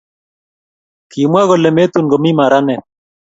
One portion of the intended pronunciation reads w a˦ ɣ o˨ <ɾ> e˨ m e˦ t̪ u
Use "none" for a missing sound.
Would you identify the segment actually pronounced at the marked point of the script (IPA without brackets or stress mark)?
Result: l